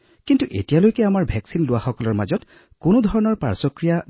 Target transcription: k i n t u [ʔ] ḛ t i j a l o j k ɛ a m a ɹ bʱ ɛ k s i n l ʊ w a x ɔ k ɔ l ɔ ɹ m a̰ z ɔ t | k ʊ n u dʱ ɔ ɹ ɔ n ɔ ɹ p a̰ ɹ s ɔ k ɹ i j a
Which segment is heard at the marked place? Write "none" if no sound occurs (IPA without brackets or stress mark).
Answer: ʔ